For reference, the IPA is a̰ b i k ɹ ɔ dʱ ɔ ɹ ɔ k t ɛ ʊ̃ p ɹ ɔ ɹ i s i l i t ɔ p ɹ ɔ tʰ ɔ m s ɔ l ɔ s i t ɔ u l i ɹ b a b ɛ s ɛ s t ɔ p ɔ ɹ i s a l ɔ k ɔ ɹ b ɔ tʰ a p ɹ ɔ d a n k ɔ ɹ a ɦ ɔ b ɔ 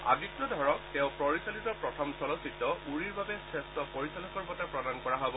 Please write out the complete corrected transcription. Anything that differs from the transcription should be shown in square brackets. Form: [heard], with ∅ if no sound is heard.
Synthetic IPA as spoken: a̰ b i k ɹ ɔ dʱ ɔ ɹ ɔ k t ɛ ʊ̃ p ɹ ɔ ɹ i s [a] l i t ɔ p ɹ ɔ tʰ ɔ m s ɔ l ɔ s i t ɔ u [ɹ] i ɹ b a b ɛ s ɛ s t ɔ p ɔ ɹ i s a l ɔ k ɔ ɹ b ɔ [t] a p ɹ ɔ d a n k ɔ ɹ a ɦ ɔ b ɔ